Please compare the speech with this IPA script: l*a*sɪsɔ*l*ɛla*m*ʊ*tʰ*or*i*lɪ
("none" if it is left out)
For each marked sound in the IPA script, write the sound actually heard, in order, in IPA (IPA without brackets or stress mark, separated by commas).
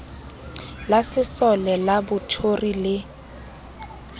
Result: a, l, b, tʰ, i